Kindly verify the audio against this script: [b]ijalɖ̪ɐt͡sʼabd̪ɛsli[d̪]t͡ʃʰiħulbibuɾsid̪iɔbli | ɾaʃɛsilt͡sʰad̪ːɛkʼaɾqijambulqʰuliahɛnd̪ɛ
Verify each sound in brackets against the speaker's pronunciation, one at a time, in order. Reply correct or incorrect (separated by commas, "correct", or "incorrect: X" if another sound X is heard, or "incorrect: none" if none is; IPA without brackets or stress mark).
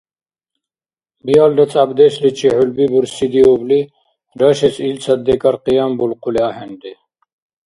correct, incorrect: none